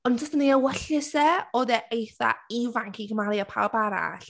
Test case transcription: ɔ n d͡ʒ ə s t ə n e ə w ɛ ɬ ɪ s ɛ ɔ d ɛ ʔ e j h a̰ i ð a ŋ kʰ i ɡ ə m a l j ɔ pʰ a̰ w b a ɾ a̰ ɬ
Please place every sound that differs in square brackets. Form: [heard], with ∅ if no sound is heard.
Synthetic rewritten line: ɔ n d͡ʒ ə s t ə n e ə w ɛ ɬ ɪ s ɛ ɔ d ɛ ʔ e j [θ] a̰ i [v] a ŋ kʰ i ɡ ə m a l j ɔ pʰ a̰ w b a ɾ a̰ ɬ